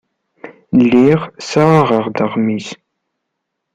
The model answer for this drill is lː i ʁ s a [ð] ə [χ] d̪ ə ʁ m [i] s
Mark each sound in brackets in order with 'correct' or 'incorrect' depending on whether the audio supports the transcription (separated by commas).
incorrect, incorrect, correct